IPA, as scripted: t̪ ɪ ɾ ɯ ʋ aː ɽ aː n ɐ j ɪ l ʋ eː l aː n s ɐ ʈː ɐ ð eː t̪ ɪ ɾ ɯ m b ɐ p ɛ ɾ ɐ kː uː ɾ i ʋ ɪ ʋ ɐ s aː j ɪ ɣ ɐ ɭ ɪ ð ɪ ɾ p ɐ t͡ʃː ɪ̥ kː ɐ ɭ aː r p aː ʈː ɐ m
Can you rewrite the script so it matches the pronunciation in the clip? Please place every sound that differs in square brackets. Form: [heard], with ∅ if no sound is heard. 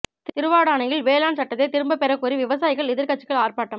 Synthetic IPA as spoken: t̪ ɪ ɾ ɯ ʋ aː ɽ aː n ɐ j ɪ l ʋ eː l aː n s ɐ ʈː ɐ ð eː t̪ ɪ ɾ ɯ m b ɐ p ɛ ɾ ɐ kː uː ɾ i ʋ ɪ ʋ ɐ s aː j ɪ ɣ ɐ ɭ ɪ ð ɪ ɾ [k] ɐ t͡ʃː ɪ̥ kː ɐ ɭ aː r p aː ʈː ɐ m